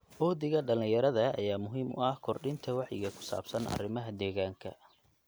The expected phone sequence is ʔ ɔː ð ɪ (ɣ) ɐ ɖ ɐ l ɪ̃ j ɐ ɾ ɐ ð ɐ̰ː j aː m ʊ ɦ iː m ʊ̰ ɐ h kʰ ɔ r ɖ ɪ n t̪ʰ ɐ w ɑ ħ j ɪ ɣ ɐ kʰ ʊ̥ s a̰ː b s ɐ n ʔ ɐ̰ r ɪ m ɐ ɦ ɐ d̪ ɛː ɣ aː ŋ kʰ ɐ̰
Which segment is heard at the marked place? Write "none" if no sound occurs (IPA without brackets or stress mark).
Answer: ɣ